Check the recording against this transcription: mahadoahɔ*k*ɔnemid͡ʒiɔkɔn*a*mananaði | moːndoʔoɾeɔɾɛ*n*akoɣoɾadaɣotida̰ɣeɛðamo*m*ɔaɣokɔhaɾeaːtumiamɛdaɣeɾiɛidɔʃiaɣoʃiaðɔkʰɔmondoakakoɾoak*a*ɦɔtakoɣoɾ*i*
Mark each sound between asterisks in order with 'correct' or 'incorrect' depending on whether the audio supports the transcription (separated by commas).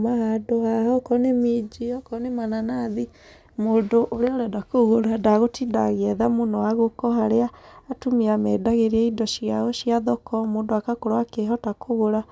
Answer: correct, incorrect, incorrect, incorrect, incorrect, incorrect